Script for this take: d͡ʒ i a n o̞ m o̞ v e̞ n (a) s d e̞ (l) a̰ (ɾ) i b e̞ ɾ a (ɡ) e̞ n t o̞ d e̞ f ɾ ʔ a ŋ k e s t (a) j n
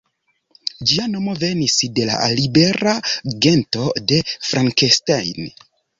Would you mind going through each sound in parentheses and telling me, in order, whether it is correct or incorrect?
incorrect, correct, incorrect, correct, correct

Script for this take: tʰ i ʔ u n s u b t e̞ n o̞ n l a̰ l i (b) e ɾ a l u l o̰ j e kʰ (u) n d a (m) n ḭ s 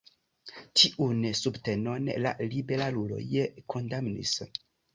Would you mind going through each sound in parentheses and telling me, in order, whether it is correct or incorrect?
correct, incorrect, correct

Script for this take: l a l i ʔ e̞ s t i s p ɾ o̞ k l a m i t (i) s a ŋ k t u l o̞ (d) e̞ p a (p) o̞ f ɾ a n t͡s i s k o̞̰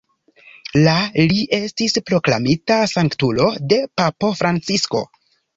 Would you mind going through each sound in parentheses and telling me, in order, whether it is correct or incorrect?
incorrect, correct, correct

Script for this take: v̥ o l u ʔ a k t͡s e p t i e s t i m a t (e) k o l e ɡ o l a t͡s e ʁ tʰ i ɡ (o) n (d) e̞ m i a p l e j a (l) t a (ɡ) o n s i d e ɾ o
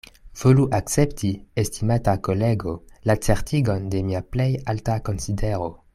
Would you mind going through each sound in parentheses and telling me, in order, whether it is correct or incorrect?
incorrect, correct, correct, correct, incorrect

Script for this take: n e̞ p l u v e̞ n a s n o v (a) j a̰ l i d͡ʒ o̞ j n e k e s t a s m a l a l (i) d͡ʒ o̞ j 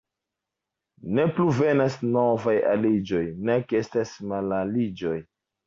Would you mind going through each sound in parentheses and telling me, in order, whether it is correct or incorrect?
correct, correct

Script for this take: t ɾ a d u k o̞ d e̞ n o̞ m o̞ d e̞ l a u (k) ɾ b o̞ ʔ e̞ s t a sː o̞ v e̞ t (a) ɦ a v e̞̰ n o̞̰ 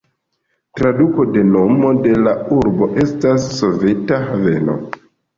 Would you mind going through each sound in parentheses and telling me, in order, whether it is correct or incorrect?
incorrect, correct

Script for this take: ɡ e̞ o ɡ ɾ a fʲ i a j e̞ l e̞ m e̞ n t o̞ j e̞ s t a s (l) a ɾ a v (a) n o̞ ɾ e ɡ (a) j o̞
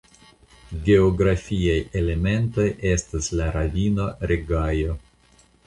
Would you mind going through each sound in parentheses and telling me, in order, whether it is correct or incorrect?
correct, incorrect, correct

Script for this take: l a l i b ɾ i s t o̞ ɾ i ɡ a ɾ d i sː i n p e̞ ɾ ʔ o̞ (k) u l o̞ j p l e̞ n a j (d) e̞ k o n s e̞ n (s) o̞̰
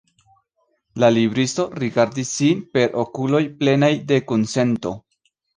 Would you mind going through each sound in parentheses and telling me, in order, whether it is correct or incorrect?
correct, correct, incorrect

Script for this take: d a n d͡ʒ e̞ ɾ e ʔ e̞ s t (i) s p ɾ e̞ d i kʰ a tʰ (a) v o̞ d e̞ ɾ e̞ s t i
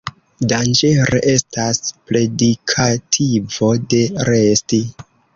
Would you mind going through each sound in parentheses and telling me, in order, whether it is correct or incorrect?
incorrect, incorrect

